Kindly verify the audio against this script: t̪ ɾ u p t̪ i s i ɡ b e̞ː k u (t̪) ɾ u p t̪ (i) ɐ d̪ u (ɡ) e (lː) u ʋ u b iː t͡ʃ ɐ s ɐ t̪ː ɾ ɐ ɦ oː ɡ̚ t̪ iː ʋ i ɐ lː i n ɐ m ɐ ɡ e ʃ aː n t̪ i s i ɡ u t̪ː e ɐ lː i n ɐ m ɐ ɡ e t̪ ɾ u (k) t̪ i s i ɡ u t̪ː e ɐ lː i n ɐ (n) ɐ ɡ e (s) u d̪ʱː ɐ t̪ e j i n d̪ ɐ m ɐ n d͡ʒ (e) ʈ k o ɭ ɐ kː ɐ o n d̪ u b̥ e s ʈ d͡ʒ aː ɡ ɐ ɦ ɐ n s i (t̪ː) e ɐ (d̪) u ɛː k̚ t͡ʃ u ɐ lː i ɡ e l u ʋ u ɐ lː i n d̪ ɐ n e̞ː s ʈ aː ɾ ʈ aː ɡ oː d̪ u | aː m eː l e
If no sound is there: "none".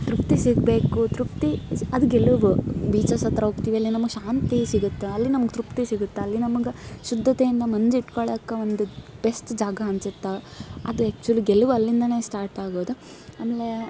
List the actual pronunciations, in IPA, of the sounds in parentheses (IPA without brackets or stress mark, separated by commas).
t̪, i, ɡ, l, p, m, ʃ, i, t̪ː, d̪